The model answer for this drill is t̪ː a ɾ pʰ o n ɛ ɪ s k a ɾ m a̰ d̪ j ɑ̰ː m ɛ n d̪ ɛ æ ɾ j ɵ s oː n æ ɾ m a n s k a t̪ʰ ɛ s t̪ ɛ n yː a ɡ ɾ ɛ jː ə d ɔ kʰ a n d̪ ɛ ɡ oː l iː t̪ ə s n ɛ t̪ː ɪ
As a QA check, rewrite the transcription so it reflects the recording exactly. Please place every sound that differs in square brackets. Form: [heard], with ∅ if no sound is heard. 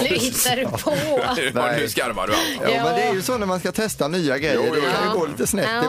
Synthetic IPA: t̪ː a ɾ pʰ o n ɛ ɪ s k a ɾ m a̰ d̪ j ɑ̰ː m ɛ n d̪ ɛ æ ɾ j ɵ s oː n æ ɾ m a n s k a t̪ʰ ɛ s t̪ [a] n yː a ɡ ɾ ɛ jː ə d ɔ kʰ a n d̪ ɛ ɡ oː l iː t̪ ə s n ɛ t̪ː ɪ